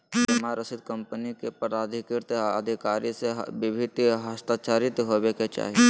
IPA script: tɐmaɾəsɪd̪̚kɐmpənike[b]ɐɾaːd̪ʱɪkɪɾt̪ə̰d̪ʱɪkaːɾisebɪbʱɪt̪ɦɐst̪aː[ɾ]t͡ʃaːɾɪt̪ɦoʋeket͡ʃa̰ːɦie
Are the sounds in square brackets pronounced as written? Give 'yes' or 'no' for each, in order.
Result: no, no

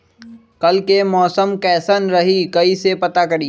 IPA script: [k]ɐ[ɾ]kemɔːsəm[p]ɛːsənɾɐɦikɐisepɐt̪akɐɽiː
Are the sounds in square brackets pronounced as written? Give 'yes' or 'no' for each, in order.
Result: yes, no, no

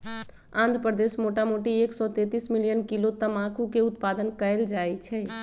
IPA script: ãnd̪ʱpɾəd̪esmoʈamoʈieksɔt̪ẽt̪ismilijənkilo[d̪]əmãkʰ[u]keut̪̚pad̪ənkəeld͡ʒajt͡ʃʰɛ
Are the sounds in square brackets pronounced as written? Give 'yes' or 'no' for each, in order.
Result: no, yes

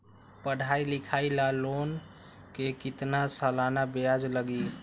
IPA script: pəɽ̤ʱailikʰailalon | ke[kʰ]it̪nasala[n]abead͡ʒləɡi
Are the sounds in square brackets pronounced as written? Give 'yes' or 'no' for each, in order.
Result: no, yes

